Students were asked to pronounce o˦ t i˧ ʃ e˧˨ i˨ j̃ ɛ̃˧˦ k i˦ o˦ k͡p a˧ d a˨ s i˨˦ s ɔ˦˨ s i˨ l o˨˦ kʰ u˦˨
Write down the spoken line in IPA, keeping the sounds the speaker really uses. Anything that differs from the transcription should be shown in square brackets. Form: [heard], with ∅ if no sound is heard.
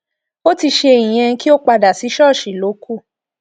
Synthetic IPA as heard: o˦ t i˧ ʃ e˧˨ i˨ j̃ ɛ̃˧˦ k i˦ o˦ k͡p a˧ d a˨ s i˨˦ [ʃ] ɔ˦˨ [ʃ] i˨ l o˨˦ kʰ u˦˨